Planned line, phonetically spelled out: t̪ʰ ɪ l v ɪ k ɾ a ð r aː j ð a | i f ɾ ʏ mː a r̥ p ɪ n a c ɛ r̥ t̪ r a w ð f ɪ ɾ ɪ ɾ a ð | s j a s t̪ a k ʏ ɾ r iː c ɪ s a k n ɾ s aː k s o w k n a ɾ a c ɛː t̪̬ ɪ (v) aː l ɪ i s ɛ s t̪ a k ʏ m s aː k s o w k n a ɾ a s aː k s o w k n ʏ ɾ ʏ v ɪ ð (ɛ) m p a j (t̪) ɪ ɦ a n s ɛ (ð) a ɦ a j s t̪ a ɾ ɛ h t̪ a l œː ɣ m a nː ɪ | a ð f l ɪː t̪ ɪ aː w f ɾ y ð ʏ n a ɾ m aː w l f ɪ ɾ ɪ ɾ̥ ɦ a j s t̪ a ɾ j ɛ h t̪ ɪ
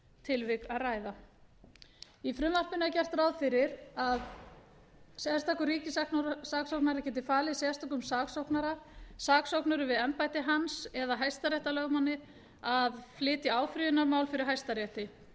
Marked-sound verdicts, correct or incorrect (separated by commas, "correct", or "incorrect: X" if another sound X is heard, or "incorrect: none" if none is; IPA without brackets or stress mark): incorrect: f, correct, correct, correct